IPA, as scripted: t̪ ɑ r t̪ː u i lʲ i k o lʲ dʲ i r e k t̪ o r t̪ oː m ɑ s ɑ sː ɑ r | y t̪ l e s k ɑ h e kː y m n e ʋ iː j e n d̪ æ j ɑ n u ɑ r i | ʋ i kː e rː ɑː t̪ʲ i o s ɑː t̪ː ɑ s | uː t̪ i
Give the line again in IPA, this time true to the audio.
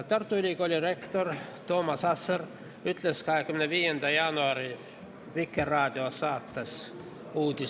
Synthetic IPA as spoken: t̪ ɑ r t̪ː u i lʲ i k o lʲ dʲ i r e k t̪ o r t̪ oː m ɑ s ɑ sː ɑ r | y t̪ l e s k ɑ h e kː y m n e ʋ iː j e n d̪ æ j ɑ n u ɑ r i | ʋ i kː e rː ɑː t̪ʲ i o s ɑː t̪ː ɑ s | uː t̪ i